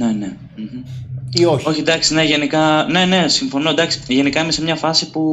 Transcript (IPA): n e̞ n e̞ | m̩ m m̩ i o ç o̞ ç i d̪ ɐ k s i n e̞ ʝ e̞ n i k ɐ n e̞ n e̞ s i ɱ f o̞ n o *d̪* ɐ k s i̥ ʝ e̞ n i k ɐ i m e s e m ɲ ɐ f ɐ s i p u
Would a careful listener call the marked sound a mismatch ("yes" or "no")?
no